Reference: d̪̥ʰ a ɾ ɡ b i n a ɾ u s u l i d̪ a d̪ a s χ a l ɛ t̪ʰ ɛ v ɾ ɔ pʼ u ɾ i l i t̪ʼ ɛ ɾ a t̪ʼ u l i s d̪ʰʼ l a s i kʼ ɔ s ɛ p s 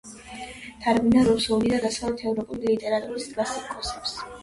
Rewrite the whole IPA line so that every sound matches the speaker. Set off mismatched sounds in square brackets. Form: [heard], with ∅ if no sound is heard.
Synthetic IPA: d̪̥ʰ a ɾ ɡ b i n a ɾ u s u l i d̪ a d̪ a s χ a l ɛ t̪ʰ ɛ v ɾ ɔ pʼ u [l] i l i t̪ʼ ɛ ɾ a t̪ʼ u [ɾ] i s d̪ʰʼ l a s i kʼ ɔ s ɛ p s